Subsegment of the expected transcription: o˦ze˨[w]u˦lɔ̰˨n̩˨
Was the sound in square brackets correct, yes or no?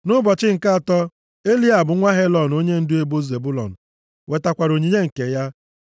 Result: no